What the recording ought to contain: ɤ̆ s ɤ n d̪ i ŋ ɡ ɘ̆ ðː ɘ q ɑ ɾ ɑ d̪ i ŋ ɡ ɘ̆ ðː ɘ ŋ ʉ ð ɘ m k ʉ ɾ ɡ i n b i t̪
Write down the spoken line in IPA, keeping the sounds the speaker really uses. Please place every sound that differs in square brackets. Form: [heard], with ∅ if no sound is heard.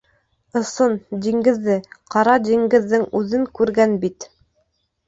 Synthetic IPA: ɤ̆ s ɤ n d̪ i ŋ ɡ ɘ̆ ðː ɘ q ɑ ɾ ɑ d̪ i ŋ ɡ ɘ̆ ðː ɘ ŋ ʉ ð ɘ [ŋ] k ʉ ɾ ɡ [æ] n b i t̪